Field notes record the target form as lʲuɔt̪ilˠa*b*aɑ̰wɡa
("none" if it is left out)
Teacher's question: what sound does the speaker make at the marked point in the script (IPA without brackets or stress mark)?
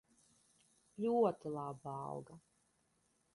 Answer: b